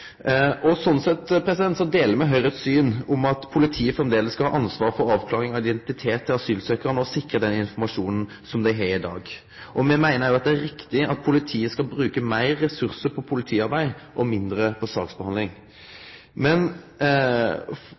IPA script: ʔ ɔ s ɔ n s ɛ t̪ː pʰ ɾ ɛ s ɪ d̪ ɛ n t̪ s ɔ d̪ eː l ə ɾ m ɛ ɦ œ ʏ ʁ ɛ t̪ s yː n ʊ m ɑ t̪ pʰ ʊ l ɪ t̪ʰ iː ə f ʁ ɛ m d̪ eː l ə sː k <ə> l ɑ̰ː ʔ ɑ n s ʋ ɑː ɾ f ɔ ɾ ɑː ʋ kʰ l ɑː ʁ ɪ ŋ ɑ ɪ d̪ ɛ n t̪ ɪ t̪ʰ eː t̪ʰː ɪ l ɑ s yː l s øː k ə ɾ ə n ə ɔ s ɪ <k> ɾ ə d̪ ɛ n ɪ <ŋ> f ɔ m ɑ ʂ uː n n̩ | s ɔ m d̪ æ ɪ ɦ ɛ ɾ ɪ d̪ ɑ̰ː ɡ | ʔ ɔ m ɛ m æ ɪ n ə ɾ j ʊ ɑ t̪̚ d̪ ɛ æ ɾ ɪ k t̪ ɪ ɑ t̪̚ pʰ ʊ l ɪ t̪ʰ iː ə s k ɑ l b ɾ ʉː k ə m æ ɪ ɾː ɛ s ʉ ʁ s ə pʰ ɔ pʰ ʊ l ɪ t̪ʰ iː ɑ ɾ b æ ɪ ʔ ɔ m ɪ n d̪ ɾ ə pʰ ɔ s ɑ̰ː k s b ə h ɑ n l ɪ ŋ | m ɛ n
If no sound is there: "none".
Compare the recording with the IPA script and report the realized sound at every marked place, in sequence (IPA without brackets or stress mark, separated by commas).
ɑ, k, n